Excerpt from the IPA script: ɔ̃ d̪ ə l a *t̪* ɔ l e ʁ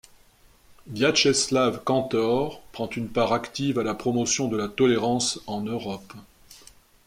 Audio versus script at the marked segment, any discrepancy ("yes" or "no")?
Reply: no